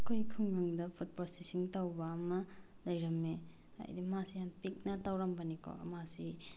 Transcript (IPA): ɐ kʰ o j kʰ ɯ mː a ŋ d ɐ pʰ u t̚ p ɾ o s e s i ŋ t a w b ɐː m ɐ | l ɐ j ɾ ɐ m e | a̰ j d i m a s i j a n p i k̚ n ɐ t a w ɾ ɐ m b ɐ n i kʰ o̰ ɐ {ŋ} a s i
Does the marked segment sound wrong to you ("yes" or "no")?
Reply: yes